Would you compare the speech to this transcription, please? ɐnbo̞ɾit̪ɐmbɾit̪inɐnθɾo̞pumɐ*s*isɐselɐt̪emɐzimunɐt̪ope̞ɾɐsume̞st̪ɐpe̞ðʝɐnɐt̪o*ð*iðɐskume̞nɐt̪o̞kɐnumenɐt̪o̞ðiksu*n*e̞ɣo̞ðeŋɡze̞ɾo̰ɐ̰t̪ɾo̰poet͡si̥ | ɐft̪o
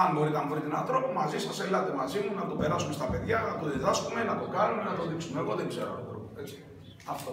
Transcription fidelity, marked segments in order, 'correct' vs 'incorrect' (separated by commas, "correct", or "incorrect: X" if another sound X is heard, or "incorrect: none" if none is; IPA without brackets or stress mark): incorrect: z, correct, incorrect: m